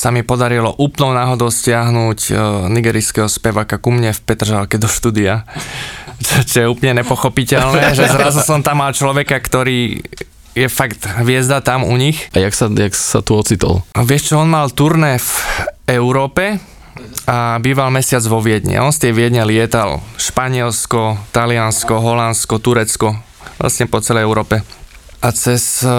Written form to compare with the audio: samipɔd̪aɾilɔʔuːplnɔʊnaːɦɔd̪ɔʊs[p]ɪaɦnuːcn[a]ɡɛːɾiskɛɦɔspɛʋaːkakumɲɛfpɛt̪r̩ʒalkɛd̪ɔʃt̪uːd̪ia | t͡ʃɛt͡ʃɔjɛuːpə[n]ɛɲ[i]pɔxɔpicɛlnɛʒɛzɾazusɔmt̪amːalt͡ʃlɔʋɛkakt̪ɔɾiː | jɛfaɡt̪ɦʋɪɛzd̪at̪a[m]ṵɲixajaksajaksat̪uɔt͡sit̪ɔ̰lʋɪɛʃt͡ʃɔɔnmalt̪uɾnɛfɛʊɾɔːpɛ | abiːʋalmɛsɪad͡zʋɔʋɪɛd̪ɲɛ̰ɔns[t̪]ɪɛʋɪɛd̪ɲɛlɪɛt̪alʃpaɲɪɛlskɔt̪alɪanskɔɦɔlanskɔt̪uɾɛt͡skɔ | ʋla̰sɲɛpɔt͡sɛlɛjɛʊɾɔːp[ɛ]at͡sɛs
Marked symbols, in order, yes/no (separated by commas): no, no, no, no, yes, yes, yes